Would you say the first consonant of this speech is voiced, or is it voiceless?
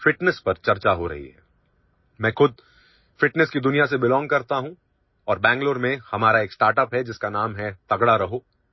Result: voiceless